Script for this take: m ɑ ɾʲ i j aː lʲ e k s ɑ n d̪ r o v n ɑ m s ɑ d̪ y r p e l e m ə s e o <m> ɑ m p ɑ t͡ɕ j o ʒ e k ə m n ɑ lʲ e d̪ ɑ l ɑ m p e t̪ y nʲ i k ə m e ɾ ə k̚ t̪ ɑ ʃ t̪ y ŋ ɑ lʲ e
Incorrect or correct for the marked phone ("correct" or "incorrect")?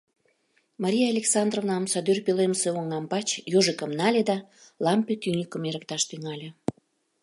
incorrect